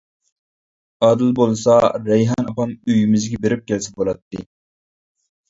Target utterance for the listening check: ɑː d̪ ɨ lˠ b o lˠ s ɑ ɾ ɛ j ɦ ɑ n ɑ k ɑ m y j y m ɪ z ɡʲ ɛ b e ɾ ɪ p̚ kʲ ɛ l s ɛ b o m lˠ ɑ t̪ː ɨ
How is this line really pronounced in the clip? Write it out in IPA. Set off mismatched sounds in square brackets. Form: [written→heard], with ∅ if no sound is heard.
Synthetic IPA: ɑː d̪ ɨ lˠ b o lˠ s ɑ ɾ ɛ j ɦ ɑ n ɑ [k→p] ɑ m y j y m ɪ z ɡʲ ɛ b e ɾ ɪ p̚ kʲ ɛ l s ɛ b o [m→∅] lˠ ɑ t̪ː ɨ